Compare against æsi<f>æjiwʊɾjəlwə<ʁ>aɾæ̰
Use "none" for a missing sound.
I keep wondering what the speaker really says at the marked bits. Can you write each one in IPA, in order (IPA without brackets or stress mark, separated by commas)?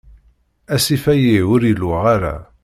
f, ʁ